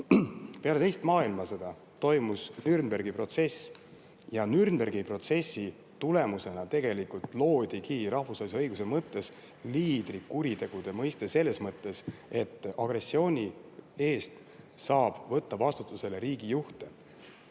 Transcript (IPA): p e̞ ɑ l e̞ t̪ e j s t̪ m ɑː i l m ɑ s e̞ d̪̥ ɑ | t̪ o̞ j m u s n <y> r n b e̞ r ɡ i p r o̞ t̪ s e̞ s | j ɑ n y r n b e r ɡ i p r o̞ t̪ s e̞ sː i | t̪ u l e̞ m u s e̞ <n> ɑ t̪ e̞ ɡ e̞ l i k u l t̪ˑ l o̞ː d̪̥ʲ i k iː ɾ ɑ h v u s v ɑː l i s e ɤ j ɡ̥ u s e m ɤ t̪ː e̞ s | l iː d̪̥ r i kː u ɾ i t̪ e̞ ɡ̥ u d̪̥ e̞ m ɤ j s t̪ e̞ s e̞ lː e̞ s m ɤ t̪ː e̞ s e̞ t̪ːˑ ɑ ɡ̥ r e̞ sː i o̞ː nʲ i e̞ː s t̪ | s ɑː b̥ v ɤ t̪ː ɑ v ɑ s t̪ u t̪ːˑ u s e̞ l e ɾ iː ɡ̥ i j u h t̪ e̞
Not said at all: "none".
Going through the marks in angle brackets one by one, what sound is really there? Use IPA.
y, n

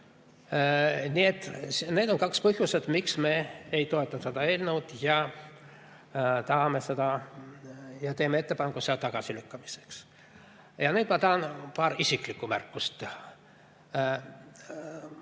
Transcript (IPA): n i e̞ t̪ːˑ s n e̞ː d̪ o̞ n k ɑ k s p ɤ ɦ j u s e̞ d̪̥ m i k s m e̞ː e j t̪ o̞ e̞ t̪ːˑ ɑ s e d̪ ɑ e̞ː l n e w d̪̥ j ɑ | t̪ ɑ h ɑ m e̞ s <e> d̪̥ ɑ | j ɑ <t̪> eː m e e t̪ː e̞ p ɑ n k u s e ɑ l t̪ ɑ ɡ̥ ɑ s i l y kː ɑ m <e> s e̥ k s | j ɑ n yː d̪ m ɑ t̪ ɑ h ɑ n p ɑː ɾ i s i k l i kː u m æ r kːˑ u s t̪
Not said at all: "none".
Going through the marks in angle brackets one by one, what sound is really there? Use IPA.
e, t̪, i

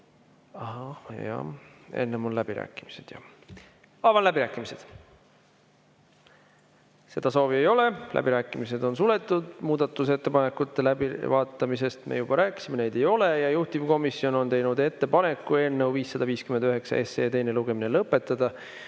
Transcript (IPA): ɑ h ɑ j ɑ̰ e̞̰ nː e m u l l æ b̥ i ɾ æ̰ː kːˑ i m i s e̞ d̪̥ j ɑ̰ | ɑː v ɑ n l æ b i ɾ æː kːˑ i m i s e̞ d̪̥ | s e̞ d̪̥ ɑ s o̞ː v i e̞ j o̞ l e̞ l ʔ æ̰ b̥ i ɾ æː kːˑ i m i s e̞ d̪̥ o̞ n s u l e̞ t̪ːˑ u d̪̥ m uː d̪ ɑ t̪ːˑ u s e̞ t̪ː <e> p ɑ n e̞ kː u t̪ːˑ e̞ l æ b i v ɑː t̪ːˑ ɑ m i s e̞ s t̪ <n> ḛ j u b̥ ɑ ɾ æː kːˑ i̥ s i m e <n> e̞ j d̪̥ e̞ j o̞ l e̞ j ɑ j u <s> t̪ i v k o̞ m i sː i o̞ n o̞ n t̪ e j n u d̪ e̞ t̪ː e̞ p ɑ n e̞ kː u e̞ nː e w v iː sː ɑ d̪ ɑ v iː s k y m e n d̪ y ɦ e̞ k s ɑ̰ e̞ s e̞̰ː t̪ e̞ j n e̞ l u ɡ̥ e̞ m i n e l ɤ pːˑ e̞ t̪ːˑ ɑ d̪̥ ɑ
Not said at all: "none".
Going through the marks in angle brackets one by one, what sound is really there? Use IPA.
e, m, n, h

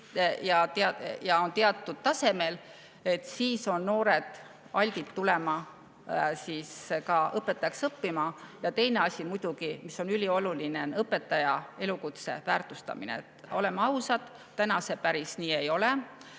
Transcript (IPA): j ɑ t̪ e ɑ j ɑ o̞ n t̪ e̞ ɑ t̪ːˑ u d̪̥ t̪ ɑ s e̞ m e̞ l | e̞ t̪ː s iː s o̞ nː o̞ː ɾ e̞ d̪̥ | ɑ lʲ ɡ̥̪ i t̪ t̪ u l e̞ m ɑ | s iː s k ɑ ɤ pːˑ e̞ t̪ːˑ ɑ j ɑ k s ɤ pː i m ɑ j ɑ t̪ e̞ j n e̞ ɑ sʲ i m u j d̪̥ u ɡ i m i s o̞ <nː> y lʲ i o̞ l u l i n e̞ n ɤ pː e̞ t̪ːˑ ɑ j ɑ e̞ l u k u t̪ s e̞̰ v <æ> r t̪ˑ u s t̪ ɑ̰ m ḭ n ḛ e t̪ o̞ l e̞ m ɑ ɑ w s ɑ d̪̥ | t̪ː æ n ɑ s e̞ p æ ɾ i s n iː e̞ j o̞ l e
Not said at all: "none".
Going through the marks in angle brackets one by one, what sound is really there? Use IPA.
n, æː

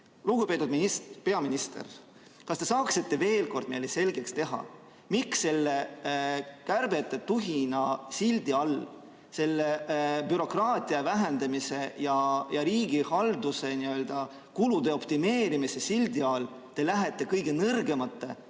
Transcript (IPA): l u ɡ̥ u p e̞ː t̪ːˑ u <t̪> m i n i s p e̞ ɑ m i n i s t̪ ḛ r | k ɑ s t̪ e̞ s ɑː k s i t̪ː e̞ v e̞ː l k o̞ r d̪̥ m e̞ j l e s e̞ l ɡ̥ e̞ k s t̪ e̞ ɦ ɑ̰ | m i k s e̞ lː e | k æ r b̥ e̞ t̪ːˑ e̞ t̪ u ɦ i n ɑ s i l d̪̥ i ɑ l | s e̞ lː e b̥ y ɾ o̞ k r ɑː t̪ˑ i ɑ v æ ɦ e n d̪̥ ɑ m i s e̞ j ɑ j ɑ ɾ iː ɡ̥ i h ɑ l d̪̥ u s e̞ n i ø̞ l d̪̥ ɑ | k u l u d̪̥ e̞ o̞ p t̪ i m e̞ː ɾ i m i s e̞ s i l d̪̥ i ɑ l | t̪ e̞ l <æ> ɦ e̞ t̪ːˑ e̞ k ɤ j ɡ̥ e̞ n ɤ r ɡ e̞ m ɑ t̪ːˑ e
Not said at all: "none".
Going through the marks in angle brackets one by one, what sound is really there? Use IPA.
d̪, æ

